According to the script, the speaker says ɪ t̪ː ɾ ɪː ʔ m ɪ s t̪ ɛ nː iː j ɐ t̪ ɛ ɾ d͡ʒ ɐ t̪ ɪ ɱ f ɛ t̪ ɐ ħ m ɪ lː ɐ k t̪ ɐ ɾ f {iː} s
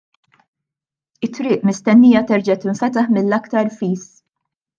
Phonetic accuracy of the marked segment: correct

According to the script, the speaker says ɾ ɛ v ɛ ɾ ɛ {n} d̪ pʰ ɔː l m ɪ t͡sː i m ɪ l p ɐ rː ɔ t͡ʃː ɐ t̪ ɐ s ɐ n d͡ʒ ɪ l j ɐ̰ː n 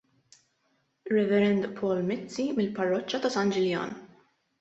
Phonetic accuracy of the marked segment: correct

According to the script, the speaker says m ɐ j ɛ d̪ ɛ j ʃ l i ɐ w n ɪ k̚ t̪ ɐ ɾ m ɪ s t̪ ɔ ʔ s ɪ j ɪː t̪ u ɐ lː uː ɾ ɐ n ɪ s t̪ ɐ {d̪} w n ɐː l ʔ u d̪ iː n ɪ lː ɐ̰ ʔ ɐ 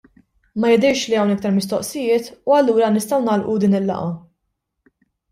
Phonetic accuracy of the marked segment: incorrect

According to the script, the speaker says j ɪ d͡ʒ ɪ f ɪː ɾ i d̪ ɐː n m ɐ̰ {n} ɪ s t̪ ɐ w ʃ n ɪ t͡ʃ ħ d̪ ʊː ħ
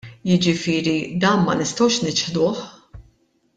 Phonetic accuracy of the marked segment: correct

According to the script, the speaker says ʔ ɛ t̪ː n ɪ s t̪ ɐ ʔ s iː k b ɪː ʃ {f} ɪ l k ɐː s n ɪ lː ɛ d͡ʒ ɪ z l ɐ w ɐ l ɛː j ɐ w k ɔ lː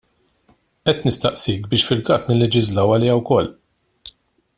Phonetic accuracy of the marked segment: correct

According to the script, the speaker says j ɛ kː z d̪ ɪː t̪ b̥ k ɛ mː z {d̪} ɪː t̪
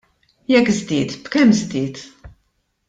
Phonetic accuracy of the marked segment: correct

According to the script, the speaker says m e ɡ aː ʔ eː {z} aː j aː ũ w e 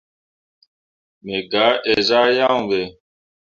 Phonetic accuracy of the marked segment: correct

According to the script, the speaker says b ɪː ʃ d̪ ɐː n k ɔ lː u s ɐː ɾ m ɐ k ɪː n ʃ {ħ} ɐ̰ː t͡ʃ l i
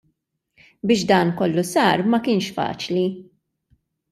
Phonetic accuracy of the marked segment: incorrect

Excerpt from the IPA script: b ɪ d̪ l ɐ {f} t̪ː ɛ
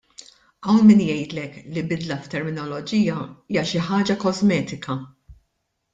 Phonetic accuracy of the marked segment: correct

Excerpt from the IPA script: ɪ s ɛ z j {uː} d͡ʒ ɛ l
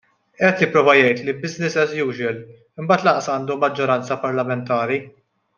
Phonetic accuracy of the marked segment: correct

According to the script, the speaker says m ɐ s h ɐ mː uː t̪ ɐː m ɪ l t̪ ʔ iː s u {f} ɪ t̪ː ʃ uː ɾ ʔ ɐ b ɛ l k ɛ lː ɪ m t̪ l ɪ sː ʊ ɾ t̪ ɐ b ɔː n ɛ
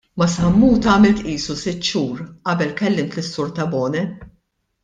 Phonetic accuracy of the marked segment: incorrect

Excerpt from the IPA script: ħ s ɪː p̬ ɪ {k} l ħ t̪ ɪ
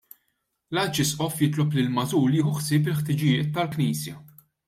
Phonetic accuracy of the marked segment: incorrect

